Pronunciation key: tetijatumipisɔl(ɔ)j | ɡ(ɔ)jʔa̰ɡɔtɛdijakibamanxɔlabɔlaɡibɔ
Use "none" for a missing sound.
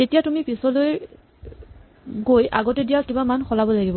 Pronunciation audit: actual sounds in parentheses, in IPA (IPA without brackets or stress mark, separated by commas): o, o